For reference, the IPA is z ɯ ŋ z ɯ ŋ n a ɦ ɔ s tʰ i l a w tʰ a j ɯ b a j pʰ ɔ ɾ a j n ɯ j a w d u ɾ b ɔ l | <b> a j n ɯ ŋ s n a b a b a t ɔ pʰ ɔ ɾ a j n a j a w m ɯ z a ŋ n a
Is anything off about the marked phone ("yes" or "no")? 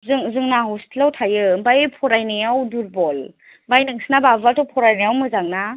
no